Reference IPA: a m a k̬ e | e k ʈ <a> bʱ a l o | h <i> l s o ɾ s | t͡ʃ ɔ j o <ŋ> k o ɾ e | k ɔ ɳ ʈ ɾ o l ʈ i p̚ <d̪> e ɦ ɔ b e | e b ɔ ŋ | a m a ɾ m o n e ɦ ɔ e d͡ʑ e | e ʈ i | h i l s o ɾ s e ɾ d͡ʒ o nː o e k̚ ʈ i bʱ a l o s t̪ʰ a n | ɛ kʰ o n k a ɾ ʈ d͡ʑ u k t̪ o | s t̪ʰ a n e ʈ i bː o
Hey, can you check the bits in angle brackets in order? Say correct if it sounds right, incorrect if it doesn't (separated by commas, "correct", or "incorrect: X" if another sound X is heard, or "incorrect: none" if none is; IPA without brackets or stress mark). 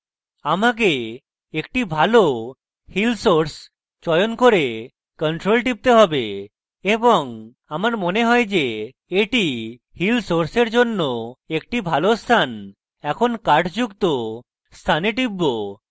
incorrect: i, correct, incorrect: n, incorrect: t̪